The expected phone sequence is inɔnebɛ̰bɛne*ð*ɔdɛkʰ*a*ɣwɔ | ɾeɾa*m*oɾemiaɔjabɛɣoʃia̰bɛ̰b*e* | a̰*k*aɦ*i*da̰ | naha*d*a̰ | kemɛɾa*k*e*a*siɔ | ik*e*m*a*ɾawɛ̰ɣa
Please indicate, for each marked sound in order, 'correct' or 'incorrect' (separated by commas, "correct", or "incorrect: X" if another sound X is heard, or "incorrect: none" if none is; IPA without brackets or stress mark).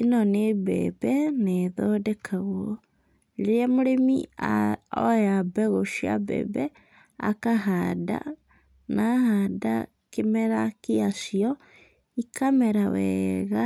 correct, correct, correct, incorrect: ɛ, correct, incorrect: a, correct, correct, correct, incorrect: a, incorrect: ɛ